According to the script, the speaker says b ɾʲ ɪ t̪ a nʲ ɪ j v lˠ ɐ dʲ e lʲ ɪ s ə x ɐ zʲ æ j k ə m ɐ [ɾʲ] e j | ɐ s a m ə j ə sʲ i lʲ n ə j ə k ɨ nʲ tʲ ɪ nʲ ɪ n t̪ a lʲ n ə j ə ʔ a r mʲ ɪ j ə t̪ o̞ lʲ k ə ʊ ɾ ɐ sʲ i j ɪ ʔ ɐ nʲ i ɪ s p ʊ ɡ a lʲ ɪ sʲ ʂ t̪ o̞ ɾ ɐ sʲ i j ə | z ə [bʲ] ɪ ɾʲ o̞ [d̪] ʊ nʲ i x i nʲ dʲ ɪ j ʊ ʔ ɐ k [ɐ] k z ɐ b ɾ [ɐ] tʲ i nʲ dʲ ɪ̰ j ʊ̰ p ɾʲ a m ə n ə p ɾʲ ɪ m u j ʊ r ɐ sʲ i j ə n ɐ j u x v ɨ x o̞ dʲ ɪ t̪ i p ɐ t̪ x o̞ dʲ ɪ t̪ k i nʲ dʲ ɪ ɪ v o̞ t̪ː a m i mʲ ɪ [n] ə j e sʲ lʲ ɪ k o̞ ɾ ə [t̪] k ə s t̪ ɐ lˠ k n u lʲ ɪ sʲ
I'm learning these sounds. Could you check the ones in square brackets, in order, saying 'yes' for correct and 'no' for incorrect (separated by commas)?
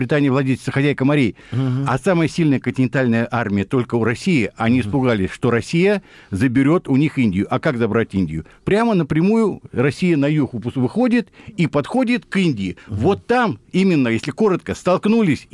yes, yes, no, no, no, no, yes